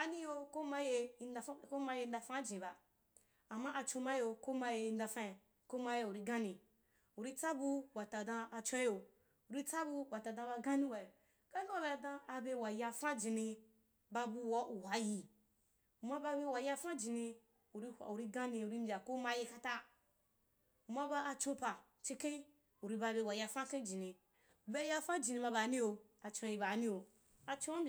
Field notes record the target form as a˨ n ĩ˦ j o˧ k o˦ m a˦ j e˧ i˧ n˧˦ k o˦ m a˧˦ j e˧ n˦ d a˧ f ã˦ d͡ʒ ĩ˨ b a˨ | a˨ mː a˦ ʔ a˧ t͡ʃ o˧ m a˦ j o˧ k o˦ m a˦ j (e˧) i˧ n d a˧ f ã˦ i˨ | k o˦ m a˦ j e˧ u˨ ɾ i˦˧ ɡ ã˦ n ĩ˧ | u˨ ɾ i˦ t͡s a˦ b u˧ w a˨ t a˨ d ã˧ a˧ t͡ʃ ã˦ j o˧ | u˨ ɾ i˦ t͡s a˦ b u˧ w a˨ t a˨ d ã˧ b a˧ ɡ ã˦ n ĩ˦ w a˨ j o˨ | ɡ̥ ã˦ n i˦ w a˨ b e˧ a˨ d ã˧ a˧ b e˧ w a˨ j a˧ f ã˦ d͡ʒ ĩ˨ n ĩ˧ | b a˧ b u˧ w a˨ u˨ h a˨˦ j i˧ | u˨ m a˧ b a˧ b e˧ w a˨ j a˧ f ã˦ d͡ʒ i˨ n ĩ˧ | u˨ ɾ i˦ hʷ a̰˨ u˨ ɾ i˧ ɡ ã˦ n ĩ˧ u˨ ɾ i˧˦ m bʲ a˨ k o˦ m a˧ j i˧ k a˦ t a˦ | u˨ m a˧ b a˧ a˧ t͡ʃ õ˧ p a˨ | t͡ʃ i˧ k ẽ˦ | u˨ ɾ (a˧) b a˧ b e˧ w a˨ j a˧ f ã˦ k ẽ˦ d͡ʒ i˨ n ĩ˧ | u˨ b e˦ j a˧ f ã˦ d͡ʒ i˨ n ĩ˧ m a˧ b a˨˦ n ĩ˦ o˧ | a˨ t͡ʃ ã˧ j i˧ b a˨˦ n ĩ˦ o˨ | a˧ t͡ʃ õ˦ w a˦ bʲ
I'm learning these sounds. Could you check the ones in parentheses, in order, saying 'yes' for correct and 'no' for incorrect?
yes, no

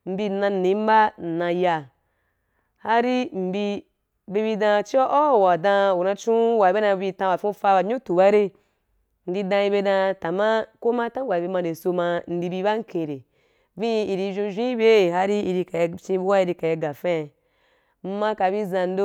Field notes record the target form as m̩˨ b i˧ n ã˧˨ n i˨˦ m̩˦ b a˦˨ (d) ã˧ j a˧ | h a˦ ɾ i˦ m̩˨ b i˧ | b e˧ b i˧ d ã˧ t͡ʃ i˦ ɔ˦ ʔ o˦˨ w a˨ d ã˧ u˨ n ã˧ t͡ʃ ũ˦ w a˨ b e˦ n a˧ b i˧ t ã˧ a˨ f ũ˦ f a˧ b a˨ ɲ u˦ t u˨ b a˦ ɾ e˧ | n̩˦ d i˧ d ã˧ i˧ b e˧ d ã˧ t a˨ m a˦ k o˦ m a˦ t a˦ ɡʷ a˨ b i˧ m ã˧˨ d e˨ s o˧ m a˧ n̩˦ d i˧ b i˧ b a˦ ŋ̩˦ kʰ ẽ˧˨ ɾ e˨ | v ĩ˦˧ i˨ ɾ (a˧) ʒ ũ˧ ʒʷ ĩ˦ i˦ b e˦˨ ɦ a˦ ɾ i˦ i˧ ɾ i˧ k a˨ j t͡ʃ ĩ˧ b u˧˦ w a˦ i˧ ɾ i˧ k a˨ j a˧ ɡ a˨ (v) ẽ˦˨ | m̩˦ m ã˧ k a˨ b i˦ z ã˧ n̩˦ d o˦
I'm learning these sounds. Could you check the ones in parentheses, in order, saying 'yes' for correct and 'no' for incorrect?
no, no, no

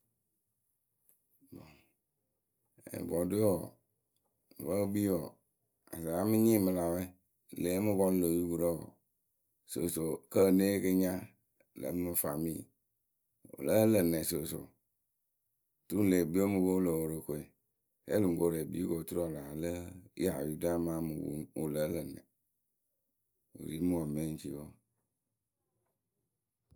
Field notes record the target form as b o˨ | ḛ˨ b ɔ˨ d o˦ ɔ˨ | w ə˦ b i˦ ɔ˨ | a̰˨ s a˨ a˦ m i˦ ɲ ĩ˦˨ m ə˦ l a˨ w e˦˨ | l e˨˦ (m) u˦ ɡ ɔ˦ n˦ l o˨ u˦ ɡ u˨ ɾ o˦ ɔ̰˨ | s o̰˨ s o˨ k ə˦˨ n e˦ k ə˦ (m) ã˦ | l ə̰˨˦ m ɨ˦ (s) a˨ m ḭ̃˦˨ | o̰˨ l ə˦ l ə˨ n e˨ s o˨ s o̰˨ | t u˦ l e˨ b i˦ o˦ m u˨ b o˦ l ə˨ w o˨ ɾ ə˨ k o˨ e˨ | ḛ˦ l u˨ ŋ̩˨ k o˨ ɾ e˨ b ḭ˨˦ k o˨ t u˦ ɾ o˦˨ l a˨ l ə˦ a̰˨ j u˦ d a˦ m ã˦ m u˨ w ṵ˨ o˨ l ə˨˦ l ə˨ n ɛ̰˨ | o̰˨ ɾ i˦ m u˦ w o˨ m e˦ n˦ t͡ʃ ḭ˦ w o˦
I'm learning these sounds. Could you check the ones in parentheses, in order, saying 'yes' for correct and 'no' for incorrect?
yes, no, no

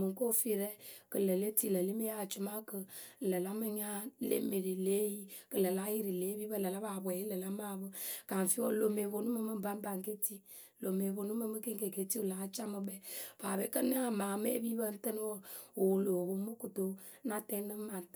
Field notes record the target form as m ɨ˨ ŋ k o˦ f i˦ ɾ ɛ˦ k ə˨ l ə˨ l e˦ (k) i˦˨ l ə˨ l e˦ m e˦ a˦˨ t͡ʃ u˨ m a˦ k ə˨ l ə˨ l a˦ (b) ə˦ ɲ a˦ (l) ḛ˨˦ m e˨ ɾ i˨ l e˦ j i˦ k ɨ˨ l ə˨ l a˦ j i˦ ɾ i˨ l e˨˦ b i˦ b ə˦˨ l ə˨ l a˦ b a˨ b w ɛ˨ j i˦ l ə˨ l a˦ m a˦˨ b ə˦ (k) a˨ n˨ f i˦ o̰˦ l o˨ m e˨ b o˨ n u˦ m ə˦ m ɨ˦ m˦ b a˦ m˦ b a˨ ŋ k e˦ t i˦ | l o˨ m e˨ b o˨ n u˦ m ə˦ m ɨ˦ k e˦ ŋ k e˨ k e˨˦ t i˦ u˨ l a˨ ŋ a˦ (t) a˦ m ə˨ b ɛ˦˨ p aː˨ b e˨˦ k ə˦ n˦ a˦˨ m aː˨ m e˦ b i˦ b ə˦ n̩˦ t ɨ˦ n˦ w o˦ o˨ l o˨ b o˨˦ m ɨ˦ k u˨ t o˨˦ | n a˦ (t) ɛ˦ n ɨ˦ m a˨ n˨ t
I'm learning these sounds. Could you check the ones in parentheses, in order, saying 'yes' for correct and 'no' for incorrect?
no, no, yes, yes, no, yes

